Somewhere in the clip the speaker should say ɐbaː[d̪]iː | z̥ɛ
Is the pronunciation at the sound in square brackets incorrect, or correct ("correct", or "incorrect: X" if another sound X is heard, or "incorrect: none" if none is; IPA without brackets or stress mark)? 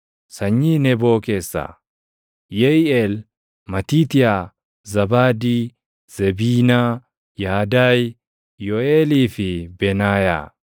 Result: correct